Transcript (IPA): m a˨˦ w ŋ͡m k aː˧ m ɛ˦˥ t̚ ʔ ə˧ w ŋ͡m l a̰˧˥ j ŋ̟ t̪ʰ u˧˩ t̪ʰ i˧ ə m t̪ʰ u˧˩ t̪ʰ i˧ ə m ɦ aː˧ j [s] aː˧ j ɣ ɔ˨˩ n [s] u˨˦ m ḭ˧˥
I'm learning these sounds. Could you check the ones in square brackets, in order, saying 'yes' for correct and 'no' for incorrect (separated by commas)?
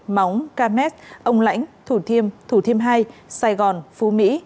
yes, no